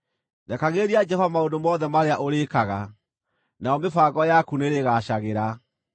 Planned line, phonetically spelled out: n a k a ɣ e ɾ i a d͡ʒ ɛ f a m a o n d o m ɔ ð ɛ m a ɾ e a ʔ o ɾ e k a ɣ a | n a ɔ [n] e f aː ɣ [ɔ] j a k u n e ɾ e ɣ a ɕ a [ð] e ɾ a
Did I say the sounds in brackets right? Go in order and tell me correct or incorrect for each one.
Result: incorrect: m, correct, incorrect: ɣ

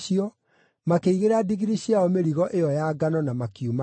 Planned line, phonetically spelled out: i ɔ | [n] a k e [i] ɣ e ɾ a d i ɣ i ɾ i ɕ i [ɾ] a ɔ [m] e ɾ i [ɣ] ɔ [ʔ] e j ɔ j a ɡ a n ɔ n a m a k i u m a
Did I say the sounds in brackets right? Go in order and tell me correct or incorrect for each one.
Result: incorrect: m, correct, incorrect: none, correct, correct, correct

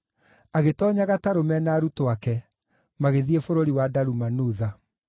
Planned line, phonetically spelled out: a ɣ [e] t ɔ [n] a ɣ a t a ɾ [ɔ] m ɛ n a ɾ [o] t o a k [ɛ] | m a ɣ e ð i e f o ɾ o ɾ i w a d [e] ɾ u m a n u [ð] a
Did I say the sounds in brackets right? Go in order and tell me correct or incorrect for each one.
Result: correct, incorrect: ɲ, incorrect: o, incorrect: u, correct, incorrect: a, correct

